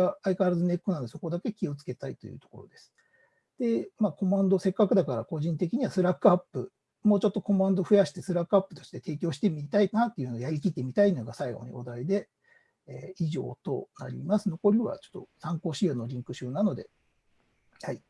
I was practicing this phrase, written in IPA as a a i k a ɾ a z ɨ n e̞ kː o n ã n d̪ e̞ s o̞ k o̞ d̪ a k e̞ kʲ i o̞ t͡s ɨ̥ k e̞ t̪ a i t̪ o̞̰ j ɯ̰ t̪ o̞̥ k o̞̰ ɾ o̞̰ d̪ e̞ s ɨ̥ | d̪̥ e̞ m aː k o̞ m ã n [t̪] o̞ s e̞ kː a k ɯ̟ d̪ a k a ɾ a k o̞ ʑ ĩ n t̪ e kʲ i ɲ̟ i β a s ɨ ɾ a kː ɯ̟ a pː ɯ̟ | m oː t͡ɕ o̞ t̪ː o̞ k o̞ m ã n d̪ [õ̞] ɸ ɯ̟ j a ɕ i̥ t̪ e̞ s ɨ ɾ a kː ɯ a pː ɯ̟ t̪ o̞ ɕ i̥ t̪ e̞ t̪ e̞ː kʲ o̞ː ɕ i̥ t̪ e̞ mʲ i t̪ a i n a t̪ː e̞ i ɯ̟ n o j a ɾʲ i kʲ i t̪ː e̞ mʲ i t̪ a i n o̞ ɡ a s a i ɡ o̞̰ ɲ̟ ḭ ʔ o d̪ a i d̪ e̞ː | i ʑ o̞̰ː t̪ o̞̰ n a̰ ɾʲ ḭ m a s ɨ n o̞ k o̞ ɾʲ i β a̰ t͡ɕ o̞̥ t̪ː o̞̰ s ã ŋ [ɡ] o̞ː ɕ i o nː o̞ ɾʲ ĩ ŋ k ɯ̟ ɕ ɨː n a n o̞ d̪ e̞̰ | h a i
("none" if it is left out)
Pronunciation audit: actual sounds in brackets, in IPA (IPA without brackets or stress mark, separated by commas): d̪, o̞, k